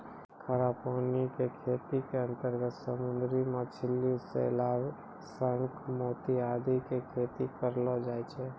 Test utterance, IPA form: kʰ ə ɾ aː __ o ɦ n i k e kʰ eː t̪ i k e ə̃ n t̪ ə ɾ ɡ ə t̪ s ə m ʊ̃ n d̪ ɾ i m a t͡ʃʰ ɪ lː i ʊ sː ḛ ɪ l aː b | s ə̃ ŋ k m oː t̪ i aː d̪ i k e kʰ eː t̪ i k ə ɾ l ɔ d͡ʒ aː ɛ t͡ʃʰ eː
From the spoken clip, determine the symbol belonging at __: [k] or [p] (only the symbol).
p